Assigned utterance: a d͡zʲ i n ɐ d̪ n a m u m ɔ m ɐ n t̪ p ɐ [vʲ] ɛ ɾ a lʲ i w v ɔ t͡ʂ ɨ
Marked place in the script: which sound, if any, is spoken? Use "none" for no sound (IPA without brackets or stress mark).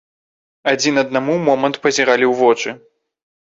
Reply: zʲ